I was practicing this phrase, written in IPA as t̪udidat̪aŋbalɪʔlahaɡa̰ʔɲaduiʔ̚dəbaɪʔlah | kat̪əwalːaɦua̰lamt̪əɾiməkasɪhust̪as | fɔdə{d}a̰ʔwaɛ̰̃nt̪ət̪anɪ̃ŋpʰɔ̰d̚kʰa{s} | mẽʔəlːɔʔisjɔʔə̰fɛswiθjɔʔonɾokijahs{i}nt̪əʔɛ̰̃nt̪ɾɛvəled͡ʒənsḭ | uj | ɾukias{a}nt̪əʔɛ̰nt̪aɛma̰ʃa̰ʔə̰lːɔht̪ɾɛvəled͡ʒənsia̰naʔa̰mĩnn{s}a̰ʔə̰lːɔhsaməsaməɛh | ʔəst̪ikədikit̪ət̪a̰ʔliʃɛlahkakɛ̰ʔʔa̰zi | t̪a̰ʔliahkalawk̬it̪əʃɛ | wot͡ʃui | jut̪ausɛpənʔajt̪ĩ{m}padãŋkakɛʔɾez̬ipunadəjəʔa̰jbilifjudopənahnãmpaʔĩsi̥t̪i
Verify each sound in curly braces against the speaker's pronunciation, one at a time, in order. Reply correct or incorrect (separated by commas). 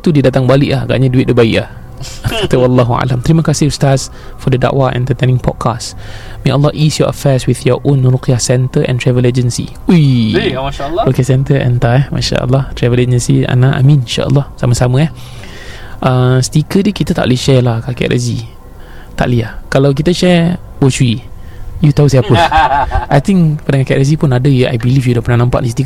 correct, correct, incorrect, incorrect, incorrect, incorrect